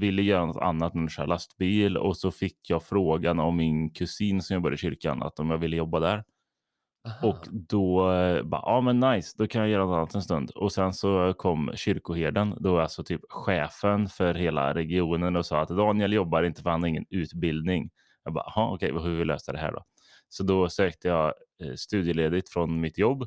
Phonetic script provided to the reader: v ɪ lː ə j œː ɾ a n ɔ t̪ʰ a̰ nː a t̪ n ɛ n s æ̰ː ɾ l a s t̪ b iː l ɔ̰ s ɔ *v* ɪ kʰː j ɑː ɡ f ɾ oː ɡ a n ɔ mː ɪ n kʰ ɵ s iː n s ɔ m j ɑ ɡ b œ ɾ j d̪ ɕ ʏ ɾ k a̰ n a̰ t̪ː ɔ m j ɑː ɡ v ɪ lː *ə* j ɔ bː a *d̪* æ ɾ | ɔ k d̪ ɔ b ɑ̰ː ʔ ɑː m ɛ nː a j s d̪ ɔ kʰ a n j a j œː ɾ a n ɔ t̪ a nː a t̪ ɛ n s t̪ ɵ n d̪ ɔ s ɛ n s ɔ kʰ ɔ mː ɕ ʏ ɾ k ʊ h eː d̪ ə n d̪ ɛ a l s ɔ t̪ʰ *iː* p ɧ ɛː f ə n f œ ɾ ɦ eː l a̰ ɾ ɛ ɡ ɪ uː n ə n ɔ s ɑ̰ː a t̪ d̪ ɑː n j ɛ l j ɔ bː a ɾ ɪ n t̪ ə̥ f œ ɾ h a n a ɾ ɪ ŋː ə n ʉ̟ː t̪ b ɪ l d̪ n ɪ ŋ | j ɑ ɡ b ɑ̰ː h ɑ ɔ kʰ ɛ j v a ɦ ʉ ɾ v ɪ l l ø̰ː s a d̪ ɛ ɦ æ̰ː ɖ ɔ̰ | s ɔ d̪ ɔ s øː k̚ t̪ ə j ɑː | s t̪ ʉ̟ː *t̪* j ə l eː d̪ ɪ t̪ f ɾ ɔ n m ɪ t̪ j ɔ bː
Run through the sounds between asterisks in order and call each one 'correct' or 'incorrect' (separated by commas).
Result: incorrect, correct, correct, incorrect, incorrect